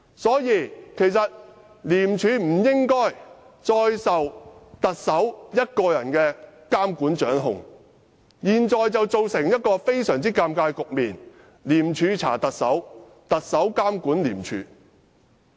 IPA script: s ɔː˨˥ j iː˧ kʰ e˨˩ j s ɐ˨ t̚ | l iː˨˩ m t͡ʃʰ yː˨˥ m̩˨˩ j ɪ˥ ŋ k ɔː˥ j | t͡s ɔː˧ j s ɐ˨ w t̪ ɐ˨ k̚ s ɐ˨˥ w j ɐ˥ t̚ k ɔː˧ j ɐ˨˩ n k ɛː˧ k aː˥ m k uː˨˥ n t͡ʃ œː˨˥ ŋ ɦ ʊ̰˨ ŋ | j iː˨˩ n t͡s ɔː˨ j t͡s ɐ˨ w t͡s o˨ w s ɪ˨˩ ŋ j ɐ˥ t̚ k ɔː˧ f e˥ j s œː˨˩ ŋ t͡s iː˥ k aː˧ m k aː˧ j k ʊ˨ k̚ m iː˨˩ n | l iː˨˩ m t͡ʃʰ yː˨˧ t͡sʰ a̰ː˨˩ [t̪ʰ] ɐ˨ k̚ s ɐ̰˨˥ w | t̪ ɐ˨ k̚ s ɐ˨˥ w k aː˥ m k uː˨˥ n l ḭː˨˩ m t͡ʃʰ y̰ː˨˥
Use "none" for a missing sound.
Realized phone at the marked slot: t̪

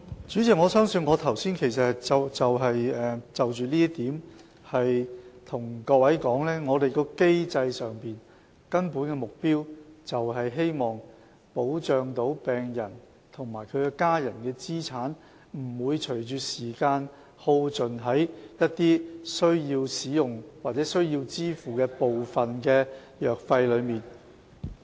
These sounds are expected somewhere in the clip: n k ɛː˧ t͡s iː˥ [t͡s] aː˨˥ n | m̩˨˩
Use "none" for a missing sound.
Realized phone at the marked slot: t͡sʰ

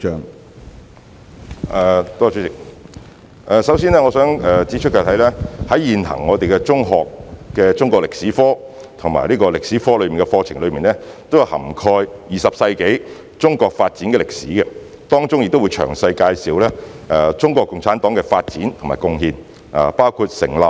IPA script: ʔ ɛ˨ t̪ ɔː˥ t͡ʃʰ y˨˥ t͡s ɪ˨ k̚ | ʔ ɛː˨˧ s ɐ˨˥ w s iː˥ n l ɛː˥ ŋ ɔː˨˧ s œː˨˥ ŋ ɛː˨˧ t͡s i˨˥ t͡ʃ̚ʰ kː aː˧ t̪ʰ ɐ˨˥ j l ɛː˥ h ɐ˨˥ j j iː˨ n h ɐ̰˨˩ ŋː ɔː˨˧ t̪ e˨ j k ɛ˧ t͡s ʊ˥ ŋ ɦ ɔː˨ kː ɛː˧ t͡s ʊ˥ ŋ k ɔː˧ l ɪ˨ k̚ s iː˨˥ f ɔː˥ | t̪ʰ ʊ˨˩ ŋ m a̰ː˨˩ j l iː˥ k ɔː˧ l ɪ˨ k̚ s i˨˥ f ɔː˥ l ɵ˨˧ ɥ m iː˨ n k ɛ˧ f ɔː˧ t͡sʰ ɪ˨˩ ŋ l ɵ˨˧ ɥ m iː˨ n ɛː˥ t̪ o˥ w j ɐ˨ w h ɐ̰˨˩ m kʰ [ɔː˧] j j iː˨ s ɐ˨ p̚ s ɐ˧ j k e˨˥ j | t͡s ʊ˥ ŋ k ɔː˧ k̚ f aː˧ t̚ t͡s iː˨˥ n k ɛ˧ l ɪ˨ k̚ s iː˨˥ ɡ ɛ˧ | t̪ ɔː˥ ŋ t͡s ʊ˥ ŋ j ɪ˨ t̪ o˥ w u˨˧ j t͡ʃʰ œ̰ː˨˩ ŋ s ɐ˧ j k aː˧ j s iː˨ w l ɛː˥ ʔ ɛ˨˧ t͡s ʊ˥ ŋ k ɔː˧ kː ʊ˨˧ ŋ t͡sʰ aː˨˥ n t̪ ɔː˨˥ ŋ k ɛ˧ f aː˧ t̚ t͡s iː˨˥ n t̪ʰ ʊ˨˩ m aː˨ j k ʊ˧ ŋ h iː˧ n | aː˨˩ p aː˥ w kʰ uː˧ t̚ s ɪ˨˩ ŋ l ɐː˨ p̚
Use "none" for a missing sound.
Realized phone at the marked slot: ɔː˧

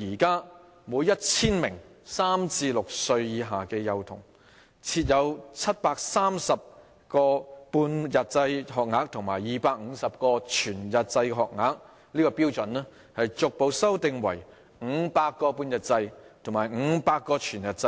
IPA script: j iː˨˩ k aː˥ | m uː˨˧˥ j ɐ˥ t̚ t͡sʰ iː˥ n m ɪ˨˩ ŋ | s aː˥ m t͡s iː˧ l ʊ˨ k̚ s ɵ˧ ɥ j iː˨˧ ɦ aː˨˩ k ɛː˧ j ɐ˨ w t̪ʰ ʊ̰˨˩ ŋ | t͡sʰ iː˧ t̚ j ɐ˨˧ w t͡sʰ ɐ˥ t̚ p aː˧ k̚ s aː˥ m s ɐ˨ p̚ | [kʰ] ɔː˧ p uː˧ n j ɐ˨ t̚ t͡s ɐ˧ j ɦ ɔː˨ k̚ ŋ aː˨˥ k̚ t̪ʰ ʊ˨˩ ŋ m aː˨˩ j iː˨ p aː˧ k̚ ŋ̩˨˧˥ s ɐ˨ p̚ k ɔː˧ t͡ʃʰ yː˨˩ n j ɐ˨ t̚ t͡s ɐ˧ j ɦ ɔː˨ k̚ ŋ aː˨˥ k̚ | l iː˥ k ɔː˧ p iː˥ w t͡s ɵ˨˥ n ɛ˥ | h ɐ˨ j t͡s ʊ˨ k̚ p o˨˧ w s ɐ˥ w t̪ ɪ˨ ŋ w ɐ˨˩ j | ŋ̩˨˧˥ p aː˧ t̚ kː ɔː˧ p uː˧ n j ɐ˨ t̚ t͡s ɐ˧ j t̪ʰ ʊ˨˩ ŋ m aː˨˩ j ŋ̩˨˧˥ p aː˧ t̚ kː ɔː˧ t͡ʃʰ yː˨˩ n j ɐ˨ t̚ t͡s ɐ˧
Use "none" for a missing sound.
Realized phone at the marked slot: k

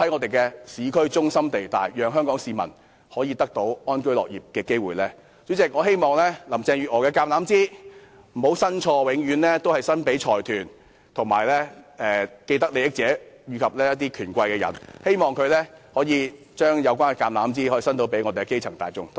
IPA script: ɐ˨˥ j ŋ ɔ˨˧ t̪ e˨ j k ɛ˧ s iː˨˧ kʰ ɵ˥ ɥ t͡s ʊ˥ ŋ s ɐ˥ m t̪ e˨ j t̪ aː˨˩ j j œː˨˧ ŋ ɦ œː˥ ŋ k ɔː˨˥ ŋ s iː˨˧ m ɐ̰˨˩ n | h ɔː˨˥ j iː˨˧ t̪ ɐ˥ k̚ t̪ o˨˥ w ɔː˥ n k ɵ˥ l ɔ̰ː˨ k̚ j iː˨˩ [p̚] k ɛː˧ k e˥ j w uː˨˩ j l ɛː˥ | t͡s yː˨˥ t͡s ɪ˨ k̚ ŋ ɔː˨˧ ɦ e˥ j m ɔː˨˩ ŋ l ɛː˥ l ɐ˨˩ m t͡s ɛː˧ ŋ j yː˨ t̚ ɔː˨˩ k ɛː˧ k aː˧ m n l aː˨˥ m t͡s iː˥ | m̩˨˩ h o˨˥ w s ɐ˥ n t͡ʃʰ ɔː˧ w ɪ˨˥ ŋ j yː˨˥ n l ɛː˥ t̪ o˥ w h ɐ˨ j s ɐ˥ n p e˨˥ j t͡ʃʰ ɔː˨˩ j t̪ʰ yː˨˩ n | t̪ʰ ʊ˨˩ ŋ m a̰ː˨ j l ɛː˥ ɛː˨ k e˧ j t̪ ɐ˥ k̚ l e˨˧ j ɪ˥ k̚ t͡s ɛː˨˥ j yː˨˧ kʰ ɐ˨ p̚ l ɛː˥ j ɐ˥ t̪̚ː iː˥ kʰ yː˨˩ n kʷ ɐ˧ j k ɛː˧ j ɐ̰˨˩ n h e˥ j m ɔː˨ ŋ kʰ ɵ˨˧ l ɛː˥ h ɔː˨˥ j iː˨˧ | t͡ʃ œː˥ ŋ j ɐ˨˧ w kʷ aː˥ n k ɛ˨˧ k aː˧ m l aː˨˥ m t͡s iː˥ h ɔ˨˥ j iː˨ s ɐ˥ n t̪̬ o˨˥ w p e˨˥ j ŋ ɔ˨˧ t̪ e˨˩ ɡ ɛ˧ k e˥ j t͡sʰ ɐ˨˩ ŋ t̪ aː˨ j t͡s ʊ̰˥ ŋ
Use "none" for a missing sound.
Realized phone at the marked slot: p̚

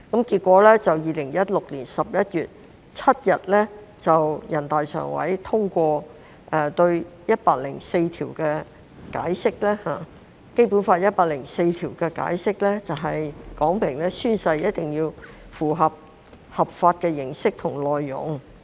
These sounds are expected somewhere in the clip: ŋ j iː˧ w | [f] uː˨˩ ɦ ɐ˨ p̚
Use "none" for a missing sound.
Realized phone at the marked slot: f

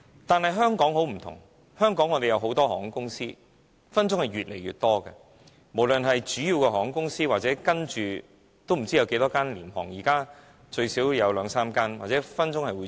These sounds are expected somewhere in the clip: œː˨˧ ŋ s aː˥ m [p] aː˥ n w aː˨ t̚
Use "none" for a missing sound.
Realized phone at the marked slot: k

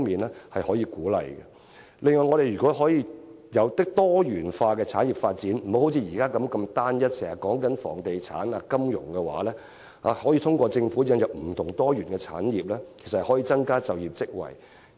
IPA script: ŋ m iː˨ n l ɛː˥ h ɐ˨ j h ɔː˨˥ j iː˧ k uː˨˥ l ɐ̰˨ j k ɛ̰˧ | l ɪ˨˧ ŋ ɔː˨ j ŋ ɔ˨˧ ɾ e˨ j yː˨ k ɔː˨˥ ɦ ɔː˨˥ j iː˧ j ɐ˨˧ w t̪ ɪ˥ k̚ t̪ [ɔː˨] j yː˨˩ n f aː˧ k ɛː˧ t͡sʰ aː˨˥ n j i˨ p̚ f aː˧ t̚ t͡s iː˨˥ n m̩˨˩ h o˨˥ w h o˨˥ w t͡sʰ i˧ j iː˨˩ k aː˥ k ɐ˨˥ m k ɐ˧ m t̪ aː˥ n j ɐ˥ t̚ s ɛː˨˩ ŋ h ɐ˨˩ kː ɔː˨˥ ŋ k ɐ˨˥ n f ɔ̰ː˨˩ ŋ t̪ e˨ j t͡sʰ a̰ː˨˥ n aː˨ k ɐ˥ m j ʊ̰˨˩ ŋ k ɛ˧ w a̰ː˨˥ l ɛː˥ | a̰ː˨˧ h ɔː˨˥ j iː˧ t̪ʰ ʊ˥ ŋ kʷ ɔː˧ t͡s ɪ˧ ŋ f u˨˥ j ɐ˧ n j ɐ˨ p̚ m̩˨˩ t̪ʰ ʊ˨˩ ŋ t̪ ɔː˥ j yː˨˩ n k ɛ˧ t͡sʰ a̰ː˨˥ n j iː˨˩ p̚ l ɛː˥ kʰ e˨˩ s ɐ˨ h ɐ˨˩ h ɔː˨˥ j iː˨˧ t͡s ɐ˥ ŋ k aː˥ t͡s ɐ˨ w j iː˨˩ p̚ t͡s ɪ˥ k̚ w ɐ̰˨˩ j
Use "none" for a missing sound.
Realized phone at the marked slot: ɔː˥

